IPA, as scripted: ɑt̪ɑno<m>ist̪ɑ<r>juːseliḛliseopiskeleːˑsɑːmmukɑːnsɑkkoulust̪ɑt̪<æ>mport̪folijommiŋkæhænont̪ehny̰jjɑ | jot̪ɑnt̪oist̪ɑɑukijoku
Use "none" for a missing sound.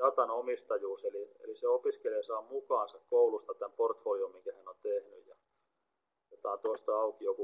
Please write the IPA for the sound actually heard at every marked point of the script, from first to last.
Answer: m, none, æ

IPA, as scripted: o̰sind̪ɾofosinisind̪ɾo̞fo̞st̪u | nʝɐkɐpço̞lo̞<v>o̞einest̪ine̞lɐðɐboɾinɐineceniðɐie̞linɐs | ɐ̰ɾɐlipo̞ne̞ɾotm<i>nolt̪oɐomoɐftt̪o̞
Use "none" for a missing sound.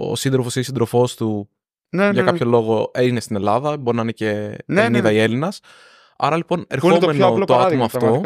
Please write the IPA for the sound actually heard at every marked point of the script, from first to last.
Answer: ɣ, e

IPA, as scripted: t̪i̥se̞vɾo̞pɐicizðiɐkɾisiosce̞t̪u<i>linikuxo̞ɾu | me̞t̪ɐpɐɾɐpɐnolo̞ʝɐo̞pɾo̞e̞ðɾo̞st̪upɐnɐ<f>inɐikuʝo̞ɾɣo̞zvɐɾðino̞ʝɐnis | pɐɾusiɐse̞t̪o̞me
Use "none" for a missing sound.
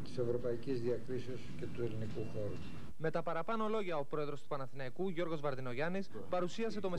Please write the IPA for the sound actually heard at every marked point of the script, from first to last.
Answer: e, θ

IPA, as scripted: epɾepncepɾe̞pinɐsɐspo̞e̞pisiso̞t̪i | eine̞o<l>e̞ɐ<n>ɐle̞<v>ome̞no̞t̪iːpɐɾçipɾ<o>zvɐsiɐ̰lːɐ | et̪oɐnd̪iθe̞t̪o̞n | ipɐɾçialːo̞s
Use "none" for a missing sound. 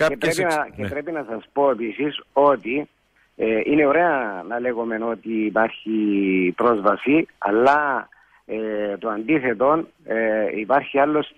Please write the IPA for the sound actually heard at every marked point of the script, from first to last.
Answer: ɾ, n, ɣ, o

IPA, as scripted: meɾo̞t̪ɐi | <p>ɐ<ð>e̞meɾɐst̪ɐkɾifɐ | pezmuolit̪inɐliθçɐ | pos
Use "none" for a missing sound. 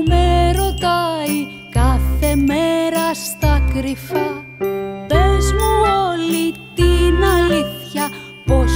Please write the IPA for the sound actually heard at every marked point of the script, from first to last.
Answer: k, θ

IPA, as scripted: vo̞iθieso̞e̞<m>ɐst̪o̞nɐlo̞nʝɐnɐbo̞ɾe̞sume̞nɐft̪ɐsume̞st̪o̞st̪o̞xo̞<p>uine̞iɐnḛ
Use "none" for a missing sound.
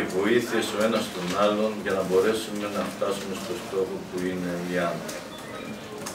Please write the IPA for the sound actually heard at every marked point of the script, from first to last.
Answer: n, p

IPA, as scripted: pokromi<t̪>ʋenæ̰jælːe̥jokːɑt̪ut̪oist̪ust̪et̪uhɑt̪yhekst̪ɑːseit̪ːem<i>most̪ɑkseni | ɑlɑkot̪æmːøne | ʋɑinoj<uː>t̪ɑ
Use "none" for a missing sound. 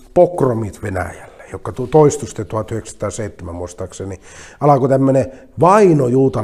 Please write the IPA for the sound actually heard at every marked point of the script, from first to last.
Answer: t̪, æ, uː

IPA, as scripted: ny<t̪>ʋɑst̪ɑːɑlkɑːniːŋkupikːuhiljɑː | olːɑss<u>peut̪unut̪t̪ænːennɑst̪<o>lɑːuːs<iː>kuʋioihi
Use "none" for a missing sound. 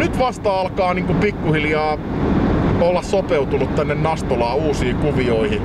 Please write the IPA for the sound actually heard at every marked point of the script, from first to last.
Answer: t̪, o, o, iː

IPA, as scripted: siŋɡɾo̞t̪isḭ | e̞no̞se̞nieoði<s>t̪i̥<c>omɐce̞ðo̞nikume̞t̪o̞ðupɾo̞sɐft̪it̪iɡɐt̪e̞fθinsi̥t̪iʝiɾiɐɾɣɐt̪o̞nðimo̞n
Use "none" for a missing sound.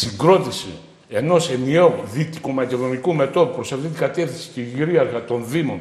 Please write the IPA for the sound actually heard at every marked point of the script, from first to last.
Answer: none, k

